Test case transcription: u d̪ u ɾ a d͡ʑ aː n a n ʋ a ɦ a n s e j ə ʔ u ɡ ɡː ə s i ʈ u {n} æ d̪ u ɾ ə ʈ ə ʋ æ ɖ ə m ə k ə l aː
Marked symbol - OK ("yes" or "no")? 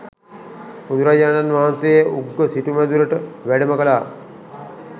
no